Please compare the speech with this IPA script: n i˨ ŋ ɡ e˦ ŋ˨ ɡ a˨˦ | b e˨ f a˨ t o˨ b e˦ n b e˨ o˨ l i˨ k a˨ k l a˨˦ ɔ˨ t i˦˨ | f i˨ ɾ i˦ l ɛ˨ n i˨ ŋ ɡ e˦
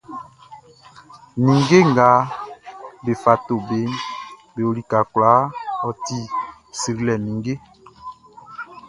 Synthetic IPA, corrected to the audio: n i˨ ŋ ɡ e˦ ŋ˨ ɡ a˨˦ | b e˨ f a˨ t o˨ b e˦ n b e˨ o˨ l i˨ k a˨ k l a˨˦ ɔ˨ t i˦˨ | s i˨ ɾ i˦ l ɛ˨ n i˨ ŋ ɡ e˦